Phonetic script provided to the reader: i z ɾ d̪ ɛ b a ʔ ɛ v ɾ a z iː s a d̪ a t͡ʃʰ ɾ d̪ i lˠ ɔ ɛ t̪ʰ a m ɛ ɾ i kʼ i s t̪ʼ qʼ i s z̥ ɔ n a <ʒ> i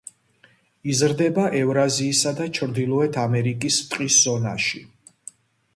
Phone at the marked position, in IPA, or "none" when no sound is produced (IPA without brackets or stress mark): ʃ